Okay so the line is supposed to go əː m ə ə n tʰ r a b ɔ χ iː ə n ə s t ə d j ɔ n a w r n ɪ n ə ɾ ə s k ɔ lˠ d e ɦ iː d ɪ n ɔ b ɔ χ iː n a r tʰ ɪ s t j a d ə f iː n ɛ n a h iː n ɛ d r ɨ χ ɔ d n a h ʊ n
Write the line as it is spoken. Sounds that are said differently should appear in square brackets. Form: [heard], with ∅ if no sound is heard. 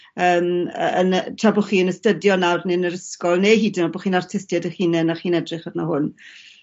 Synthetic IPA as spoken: əː m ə ə n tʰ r a b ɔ χ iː ə n ə s t ə d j ɔ n a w r n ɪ n ə ɾ ə s k ɔ lˠ [n] e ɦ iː d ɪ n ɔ b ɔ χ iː n a r tʰ ɪ s t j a d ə [χ] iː n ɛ n a [χ] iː n ɛ d r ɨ χ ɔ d n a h ʊ n